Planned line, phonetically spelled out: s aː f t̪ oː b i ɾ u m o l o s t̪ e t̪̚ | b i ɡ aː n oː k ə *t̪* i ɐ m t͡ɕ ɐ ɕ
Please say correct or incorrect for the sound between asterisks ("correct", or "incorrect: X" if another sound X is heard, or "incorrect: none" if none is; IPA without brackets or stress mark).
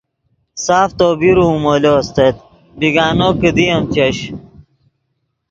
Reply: incorrect: d̪